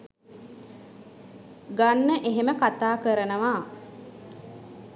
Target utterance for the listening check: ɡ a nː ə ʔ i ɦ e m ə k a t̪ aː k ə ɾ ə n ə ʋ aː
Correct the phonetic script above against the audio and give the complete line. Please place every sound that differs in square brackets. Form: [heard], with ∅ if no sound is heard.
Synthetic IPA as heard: ɡ a nː ə ʔ [e] ɦ e m ə k a t̪ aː k ə ɾ ə n ə ʋ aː